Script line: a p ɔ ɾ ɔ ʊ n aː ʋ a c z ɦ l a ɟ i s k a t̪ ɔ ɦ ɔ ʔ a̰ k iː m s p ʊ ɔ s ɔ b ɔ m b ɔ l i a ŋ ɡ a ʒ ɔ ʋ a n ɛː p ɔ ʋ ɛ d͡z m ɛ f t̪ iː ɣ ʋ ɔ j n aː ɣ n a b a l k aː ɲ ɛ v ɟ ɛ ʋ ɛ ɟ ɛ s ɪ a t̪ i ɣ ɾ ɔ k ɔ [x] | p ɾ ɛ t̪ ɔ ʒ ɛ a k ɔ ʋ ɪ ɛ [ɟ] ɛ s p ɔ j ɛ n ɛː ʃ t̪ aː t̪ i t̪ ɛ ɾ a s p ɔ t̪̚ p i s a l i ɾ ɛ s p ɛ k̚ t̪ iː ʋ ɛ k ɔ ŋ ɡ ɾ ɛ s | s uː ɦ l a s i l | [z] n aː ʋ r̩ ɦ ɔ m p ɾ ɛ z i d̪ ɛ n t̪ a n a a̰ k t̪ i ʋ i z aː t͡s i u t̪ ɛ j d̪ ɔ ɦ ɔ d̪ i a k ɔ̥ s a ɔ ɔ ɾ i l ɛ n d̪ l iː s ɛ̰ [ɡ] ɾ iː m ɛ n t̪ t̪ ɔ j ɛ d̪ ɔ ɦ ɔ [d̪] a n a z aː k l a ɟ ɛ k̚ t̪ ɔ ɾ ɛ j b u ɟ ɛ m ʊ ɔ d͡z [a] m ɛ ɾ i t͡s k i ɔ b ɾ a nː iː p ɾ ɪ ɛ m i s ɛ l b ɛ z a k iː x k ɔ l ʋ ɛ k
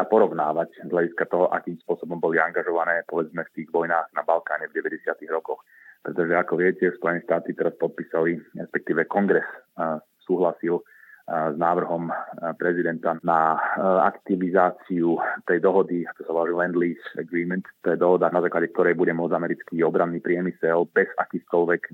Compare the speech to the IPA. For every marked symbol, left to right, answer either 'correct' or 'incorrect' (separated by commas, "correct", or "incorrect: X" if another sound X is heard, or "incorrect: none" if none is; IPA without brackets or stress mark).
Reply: correct, incorrect: c, correct, correct, correct, correct